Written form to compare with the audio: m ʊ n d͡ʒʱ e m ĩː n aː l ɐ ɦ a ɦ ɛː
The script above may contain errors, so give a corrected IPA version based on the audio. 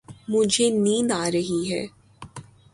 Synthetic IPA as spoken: m ʊ d͡ʒʱ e n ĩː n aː ɾ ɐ ɦ i ɦ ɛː